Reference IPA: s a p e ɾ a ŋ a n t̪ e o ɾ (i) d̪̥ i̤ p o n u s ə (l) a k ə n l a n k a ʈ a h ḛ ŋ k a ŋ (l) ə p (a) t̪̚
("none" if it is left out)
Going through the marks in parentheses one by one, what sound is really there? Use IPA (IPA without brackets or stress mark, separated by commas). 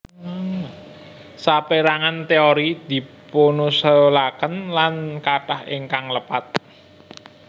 i, l, l, a